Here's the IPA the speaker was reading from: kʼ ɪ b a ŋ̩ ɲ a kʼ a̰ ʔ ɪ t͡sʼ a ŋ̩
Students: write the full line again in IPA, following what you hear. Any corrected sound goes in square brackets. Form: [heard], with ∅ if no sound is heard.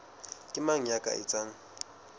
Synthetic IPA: kʼ ɪ [m] a ŋ̩ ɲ a kʼ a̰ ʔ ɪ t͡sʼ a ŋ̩